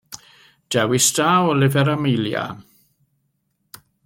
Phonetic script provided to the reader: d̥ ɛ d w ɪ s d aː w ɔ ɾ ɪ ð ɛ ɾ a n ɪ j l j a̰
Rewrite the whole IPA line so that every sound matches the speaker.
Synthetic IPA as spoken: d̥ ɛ w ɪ s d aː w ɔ l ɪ v ɛ ɾ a m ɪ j l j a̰